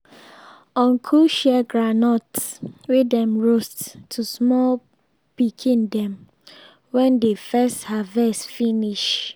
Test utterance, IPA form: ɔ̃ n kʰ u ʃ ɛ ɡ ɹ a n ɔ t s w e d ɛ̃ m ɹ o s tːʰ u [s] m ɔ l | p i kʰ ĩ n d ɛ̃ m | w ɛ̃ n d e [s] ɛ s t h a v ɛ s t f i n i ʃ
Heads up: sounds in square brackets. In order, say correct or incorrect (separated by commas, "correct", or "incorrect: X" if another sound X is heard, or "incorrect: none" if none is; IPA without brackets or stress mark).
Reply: correct, incorrect: f